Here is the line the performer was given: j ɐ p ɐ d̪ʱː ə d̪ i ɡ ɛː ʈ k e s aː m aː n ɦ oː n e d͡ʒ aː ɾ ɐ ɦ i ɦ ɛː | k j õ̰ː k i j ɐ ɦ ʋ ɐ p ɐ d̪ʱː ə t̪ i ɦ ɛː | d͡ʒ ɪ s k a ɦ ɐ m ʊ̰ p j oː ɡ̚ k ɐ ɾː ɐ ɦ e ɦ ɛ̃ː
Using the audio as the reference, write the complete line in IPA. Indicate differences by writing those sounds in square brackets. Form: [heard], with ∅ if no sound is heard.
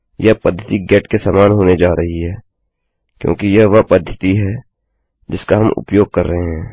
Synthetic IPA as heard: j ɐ p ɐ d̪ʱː ə [t̪] i ɡ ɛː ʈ k e s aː m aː n ɦ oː n e d͡ʒ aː ɾ ɐ ɦ i ɦ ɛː | k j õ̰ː k i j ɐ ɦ ʋ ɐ p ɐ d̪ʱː ə t̪ i ɦ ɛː | d͡ʒ ɪ s k a ɦ ɐ m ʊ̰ p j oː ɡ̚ k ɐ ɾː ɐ ɦ e ɦ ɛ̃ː